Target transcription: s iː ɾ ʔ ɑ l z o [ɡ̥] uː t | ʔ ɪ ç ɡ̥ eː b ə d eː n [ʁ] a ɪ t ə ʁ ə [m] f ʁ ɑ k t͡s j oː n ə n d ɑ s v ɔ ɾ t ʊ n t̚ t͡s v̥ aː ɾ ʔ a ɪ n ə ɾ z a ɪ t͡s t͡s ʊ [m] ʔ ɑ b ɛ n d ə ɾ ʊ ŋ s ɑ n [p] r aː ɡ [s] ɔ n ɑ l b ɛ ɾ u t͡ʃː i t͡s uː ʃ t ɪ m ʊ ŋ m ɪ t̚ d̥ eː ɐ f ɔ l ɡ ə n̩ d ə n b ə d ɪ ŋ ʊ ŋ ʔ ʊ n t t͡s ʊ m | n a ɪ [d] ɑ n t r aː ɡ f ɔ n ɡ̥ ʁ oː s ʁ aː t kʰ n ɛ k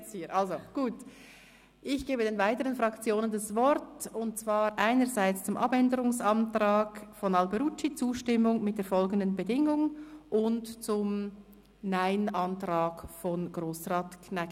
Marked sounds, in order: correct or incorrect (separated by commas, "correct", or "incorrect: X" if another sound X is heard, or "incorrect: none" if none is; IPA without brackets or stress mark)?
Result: correct, incorrect: v, incorrect: n, correct, incorrect: t, incorrect: f, incorrect: n